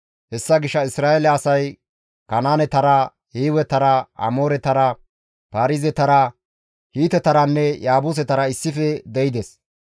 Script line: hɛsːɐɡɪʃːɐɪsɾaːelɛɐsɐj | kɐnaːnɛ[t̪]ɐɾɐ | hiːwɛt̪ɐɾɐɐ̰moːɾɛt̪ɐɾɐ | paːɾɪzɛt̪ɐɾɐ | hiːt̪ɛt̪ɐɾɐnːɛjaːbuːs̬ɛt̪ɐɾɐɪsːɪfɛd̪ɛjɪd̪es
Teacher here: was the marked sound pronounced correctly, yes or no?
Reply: yes